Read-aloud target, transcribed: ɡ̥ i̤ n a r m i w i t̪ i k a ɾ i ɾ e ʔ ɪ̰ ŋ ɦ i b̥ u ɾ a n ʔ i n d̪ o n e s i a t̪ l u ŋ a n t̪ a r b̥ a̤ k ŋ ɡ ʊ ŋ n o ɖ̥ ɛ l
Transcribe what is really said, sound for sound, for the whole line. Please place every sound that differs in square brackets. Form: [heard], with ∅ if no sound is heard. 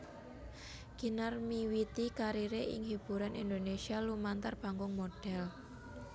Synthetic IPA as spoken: ɡ̥ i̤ n a r m i w i t̪ i k a ɾ i ɾ e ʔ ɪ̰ ŋ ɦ i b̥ u ɾ a n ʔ i n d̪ o n e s i a [∅] l u [m] a n t̪ a r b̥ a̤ [∅] ŋ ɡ ʊ ŋ [m] o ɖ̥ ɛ l